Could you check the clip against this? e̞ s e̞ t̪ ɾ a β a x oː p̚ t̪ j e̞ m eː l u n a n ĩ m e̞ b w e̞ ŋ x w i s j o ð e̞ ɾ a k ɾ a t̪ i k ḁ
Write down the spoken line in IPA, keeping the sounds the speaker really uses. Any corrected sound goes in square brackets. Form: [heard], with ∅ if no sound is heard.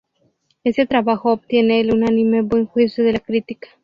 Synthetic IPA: e̞ s e̞ t̪ ɾ a β a x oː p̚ t̪ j e̞ [n] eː l u n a n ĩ m e̞ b w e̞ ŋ x w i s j o ð e̞ [l] a k ɾ [i] t̪ i k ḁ